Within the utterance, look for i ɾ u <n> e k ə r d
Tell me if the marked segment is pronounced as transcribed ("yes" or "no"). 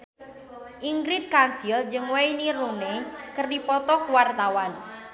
yes